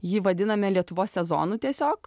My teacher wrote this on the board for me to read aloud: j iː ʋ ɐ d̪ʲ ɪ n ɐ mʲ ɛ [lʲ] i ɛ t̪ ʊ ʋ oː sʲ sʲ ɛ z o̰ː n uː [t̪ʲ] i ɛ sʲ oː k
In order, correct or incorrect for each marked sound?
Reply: correct, correct

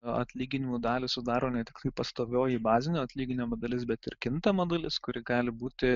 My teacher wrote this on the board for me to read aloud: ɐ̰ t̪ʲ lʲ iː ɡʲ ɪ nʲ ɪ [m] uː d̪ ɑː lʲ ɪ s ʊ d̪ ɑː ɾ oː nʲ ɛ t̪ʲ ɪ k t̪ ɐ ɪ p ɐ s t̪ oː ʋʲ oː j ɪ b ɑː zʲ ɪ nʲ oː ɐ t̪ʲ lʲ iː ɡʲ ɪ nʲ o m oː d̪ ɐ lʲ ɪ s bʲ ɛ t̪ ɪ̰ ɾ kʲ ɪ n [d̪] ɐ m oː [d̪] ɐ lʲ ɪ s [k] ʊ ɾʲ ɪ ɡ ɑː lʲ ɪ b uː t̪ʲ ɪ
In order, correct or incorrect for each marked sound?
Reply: correct, incorrect: t̪, correct, correct

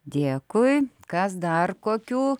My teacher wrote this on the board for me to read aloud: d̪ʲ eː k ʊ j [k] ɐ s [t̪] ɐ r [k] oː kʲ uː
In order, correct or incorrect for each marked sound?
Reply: correct, incorrect: d̪, correct

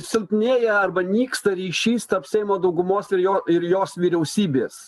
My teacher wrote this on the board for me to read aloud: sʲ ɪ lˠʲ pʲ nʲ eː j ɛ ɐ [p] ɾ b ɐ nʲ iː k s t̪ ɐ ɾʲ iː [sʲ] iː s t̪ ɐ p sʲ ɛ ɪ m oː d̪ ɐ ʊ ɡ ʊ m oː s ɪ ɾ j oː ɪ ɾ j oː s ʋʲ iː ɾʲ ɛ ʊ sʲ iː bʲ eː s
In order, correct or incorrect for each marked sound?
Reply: incorrect: none, incorrect: ʃʲ

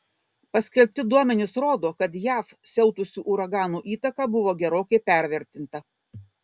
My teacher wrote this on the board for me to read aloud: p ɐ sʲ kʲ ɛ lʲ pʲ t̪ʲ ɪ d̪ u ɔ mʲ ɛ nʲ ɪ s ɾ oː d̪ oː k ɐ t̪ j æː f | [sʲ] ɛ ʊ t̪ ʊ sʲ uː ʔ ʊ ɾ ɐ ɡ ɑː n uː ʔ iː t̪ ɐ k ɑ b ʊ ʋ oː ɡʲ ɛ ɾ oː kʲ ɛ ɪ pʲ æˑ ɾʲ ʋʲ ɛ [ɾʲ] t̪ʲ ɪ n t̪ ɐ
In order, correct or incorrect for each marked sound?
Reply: correct, correct

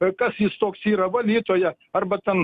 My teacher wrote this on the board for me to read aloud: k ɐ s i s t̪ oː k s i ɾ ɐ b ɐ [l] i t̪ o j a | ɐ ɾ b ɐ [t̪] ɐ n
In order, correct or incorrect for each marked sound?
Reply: correct, correct

